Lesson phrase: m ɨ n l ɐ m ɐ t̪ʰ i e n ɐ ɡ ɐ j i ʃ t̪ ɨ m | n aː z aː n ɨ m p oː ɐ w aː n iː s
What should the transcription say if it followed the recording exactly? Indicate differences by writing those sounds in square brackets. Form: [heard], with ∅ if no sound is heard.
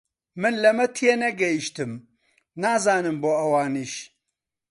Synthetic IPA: m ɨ n l ɐ m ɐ t̪ʰ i e n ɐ ɡ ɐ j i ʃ t̪ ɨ m | n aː z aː n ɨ m [b] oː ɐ w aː n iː [ʃ]